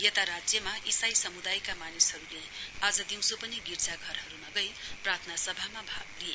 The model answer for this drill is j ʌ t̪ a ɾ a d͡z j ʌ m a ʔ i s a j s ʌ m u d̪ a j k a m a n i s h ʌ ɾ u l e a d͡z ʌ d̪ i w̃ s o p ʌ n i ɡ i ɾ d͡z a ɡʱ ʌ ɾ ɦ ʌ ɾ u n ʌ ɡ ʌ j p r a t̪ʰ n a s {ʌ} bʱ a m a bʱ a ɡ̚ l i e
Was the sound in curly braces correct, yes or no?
yes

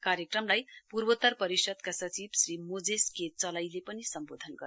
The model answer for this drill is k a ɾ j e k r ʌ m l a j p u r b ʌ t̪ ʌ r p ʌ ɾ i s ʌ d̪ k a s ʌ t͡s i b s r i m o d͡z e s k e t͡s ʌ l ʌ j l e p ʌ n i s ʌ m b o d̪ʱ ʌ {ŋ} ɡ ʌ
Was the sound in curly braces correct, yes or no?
no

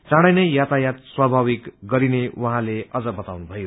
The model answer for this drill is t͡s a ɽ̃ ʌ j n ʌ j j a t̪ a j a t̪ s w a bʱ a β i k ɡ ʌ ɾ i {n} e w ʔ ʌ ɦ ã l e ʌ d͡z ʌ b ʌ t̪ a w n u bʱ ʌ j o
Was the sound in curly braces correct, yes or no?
yes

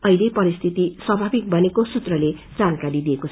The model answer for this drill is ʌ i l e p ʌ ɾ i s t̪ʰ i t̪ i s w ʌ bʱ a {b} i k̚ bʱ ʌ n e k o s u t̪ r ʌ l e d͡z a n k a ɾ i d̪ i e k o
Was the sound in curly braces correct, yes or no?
yes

